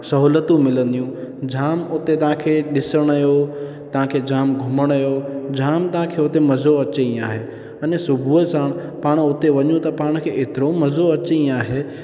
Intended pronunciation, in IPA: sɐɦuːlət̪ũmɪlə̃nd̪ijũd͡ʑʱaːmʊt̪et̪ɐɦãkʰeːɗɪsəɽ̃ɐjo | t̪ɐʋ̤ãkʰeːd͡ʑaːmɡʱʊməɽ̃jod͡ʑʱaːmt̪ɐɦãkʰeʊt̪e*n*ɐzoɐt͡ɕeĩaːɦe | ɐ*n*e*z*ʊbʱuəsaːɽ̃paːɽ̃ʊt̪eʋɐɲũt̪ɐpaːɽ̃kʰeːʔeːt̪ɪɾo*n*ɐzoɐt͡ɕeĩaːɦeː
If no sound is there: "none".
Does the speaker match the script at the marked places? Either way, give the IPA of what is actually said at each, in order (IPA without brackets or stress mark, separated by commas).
m, n, s, m